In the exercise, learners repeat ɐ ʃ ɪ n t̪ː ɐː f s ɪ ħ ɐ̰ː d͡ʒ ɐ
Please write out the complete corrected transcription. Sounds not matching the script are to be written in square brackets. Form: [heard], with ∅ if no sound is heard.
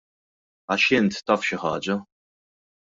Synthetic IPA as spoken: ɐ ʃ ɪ n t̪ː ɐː f [ʃ] ɪ ħ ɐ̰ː d͡ʒ ɐ